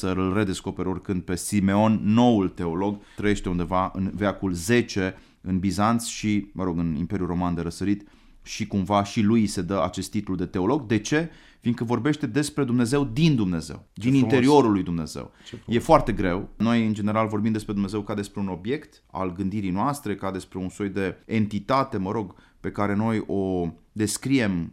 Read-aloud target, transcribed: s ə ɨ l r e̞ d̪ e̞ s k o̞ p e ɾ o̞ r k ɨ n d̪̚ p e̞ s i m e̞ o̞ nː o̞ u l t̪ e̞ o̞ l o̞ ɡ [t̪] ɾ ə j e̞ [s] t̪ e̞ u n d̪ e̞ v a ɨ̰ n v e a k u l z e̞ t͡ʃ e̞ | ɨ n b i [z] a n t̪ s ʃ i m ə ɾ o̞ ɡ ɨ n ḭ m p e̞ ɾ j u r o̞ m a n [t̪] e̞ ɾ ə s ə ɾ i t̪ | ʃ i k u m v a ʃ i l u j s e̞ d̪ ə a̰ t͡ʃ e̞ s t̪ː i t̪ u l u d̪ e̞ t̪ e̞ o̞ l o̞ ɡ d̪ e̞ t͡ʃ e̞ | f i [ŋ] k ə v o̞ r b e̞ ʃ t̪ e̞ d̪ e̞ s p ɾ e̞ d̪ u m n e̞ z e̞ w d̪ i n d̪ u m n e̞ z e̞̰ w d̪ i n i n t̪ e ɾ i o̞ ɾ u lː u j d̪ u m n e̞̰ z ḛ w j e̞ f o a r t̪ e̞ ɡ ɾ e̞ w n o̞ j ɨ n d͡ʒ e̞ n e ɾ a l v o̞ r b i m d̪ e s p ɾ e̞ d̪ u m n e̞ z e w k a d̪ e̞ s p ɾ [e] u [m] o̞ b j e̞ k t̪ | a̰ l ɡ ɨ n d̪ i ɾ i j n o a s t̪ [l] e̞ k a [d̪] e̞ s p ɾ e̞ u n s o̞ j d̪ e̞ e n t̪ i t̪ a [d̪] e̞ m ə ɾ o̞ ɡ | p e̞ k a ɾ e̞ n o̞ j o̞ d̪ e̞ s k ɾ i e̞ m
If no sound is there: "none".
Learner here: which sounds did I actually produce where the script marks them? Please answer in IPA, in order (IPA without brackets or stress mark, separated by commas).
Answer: t̪, ʃ, z, d̪, n, e, n, ɾ, d̪, t̪